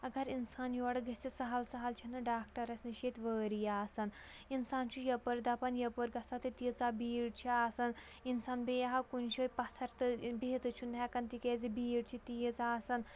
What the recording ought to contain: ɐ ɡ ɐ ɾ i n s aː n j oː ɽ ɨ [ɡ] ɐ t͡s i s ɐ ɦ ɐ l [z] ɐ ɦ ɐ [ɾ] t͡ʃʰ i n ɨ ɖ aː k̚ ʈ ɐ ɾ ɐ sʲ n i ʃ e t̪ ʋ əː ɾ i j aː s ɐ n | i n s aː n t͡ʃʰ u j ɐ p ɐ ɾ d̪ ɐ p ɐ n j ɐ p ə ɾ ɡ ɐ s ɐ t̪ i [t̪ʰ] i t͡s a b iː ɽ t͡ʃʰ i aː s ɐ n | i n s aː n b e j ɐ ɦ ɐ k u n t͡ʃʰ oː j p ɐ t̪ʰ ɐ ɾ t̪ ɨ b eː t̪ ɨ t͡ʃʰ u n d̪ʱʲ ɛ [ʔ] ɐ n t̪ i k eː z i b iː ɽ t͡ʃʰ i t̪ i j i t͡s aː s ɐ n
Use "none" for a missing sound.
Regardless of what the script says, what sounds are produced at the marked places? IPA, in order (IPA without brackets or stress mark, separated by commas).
ɡ, s, l, t̪, k